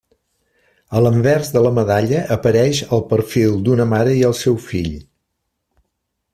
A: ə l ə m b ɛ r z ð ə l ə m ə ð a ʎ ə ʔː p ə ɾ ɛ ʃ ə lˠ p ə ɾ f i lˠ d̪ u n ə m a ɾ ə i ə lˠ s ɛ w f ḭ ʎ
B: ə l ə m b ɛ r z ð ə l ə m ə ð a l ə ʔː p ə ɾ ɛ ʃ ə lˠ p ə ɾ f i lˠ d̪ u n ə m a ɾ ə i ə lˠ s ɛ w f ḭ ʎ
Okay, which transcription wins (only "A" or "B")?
A